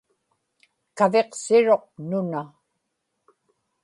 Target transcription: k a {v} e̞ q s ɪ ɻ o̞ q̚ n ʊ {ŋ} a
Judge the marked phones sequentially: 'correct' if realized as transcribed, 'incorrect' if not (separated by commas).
correct, incorrect